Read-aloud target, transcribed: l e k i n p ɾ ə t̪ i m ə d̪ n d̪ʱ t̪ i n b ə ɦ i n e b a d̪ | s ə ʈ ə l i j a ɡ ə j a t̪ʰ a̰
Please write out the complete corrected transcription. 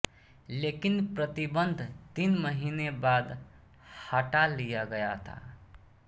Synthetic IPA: l e k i n p ɾ ə t̪ i b ə n d̪ʱ t̪ i n m ə ɦ i n e b a d̪ | h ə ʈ a l i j a ɡ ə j a t̪ʰ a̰